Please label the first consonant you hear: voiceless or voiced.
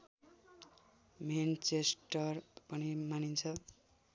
voiced